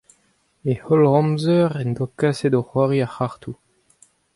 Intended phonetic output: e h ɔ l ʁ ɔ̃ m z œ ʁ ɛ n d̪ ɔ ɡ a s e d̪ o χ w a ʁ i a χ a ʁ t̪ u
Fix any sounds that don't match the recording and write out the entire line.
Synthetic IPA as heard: e h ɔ l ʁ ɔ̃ m z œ ʁ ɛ n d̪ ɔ k a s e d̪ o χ w a ʁ i a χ a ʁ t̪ u